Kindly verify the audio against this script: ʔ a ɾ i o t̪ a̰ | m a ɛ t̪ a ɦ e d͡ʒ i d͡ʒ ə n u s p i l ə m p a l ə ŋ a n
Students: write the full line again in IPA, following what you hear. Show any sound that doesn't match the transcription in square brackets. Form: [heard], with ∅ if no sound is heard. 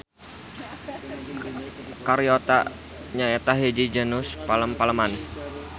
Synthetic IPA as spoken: [k] a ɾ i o t̪ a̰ | [ɲ] a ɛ t̪ a ɦ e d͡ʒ i d͡ʒ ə n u s p [a] l ə m p a l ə [m] a n